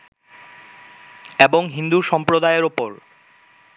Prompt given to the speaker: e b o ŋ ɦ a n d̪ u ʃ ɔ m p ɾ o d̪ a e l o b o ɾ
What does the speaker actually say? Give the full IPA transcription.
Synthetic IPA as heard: e b o ŋ ɦ i n d̪ u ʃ ɔ m p ɾ o d̪ a e ɾ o p o ɾ